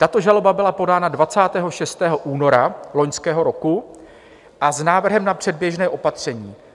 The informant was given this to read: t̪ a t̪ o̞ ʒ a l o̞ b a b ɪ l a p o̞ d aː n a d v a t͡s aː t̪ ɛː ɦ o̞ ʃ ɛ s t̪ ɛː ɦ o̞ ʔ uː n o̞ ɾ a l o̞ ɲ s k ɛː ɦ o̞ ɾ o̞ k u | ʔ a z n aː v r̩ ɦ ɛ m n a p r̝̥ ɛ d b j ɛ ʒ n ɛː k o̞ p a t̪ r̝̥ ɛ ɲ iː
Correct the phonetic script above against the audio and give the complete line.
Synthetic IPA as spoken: t̪ a t̪ o̞ ʒ a l o̞ b a b ɪ l a p o̞ d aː n a d v a t͡s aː t̪ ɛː ɦ o̞ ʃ ɛ s t̪ ɛː ɦ o̞ ʔ uː n o̞ ɾ a l o̞ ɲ s k ɛː ɦ o̞ ɾ o̞ k u | ʔ a z n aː v r̩ ɦ ɛ m n a p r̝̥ ɛ d b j ɛ ʒ n ɛː ʔ o̞ p a t̪ r̝̥ ɛ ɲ iː